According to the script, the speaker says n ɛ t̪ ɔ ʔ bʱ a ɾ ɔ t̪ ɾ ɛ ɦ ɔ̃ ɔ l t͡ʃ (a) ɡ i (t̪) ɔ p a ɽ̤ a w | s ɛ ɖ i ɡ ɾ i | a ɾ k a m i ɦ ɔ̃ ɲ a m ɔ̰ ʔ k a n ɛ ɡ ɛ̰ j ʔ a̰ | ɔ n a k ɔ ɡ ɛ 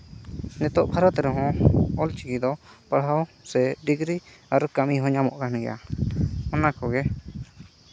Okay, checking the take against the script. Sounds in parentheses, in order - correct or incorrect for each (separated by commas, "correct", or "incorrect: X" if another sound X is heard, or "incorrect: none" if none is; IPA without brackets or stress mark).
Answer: incorrect: i, incorrect: d̪